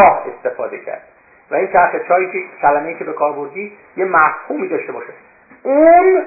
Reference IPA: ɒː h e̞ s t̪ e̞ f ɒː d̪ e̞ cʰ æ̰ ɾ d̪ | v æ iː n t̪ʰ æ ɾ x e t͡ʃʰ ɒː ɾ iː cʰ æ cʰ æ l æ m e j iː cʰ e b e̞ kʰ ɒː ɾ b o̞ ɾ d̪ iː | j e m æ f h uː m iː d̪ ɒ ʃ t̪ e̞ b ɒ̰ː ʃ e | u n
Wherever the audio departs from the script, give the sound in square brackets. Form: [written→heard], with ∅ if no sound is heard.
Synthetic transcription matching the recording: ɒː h e̞ s t̪ e̞ f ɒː d̪ e̞ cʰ æ̰ ɾ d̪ | v æ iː n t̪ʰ æ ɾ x e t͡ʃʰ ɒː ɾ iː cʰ [æ→e] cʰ æ l æ m e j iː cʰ e b e̞ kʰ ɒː ɾ b o̞ ɾ d̪ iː | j e m æ f h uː m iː d̪ ɒ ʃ t̪ e̞ b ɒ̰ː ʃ e | u n